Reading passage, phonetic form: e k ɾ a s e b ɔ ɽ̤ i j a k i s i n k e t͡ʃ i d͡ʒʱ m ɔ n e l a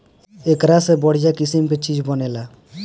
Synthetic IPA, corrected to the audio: e k ɾ a s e b ɔ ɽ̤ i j a k i s i m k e t͡ʃ i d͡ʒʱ b ɔ n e l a